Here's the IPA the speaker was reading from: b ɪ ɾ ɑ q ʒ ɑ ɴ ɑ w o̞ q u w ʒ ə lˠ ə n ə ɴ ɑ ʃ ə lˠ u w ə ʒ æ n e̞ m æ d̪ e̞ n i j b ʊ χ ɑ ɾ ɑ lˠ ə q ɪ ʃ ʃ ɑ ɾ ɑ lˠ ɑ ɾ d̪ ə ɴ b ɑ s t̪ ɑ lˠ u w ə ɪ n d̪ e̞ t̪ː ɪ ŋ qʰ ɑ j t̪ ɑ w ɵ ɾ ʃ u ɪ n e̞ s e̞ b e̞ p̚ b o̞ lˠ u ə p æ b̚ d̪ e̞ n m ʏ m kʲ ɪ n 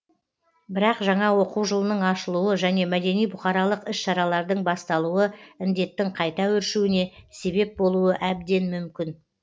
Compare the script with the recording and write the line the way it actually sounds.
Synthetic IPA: b ɪ ɾ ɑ q ʒ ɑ ɴ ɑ w o̞ q u w ʒ ə lˠ ə n ə ɴ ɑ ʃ ə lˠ u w ə ʒ æ n e̞ m æ d̪ e̞ n i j b ʊ χ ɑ ɾ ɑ lˠ ə q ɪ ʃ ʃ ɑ ɾ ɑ lˠ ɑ ɾ d̪ ə ɴ b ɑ s t̪ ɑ lˠ u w ə ɪ n d̪ e̞ t̪ː ɪ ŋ qʰ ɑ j t̪ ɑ w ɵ ɾ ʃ u ɪ n e̞ s e̞ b e̞ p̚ b o̞ lˠ u ə ʔ æ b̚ d̪ e̞ n m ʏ m kʲ ɪ n